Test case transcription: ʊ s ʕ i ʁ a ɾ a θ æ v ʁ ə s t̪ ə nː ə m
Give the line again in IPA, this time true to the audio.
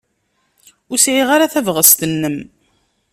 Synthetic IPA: ʊ s ʕ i ʁ a ɾ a θ æ v ʁ ə s t̪ ə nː ə m